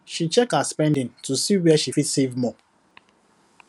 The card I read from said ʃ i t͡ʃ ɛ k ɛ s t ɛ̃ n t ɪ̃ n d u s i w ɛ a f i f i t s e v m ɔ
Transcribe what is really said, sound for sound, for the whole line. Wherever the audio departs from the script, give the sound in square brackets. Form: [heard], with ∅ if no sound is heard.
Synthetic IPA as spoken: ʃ i t͡ʃ ɛ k [a] s [p] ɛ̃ n [d] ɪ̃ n [t] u s i w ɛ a [ʃ] i f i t s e v m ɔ